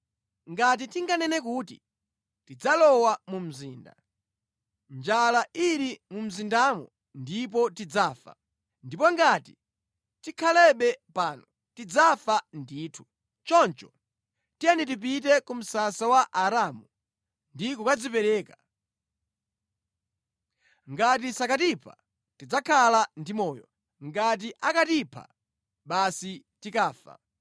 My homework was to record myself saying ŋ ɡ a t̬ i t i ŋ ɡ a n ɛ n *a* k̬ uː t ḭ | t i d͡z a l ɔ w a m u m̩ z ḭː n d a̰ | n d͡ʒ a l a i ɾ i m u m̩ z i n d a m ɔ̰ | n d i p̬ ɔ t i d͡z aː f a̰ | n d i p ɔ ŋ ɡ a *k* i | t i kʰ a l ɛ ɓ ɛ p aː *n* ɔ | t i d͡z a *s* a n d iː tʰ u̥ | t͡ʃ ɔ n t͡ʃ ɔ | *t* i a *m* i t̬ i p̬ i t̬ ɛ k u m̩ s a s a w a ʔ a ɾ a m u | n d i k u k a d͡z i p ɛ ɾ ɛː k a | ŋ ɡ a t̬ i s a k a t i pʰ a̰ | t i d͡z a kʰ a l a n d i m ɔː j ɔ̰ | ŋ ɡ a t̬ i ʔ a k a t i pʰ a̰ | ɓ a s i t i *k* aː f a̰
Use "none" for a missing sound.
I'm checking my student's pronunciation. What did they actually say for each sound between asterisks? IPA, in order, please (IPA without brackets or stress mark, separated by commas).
ɛ, t, n, f, t, n, k